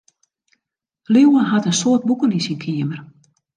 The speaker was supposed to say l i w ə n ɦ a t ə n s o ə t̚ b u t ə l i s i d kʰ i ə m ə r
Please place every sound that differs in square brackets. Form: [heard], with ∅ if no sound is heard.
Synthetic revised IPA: l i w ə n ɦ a t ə n s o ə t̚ b u [k] ə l i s i [n] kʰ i ə m ə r